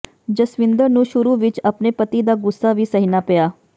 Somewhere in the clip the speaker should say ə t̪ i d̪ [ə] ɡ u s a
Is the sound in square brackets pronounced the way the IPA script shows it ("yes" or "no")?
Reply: no